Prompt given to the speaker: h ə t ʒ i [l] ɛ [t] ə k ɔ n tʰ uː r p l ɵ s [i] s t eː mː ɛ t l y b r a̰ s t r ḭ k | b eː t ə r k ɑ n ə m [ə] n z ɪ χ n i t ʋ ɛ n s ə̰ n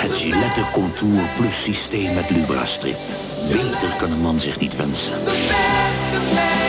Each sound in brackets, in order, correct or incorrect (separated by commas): correct, correct, correct, incorrect